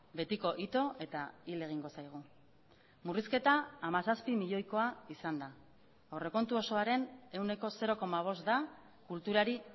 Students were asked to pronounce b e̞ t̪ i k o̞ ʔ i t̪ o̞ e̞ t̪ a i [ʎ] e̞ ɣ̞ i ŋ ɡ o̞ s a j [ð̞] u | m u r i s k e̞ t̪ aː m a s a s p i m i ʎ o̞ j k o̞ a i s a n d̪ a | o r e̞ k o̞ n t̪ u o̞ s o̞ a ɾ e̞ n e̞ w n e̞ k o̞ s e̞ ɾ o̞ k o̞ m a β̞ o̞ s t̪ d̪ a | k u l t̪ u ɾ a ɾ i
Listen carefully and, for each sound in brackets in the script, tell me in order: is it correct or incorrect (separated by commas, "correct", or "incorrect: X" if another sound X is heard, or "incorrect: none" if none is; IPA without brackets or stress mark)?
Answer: incorrect: l, incorrect: ɣ̞